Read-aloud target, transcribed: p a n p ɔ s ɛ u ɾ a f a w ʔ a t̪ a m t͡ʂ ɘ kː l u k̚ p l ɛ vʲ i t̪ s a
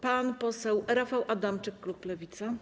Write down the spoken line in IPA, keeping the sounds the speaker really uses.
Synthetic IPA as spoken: p a n p ɔ s ɛ w ɾ a f a w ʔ a d̪ a m t͡ʂ ɘ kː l u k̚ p l ɛ vʲ i t̪ s a